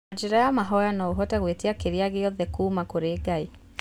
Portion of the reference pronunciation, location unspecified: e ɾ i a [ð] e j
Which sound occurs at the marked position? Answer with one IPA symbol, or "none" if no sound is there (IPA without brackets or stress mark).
ɣ